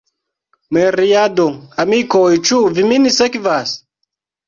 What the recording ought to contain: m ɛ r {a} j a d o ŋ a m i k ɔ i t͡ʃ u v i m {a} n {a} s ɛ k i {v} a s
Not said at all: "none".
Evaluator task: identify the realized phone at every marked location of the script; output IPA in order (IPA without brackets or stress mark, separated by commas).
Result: i, i, i, v